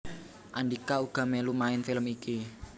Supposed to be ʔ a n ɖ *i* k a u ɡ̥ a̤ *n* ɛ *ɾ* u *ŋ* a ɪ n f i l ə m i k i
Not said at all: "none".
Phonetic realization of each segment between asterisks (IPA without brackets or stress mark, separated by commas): i, m, l, m